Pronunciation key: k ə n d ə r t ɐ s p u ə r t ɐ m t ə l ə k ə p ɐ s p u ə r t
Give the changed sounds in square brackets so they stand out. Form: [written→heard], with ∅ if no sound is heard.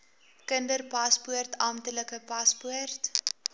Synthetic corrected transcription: k ə n d ə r [t→p] ɐ s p u ə r t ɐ m t ə l ə k ə p ɐ s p u ə r t